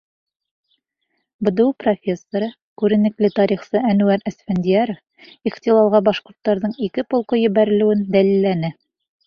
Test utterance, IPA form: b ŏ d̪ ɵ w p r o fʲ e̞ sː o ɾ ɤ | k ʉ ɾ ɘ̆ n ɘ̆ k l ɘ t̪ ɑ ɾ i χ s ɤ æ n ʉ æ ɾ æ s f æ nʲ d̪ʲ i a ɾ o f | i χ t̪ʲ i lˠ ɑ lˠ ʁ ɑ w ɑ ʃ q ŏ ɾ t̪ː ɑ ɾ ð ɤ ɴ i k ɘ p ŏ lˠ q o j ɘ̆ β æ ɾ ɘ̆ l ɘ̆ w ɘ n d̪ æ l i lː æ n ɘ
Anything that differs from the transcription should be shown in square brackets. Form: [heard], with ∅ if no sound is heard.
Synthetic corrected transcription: b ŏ d̪ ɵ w p r o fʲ e̞ sː o ɾ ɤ | k ʉ ɾ ɘ̆ n ɘ̆ k l ɘ t̪ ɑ ɾ i χ s ɤ æ n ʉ æ ɾ æ s f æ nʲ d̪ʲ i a ɾ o f | i χ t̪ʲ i lˠ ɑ lˠ ʁ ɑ [b] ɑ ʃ q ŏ ɾ t̪ː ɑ ɾ ð ɤ ɴ i k ɘ p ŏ lˠ q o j ɘ̆ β æ ɾ ɘ̆ l ɘ̆ w ɘ n d̪ æ l i lː æ n ɘ